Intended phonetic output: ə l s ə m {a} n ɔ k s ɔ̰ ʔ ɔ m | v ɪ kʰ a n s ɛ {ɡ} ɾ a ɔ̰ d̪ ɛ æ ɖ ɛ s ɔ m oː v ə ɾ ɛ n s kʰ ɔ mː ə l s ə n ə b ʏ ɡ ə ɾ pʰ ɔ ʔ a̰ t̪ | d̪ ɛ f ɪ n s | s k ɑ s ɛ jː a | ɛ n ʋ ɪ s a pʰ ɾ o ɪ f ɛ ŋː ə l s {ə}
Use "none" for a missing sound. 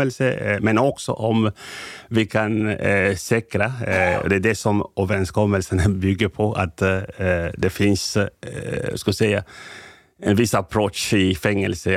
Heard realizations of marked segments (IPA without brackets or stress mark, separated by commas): ɛ, k, ə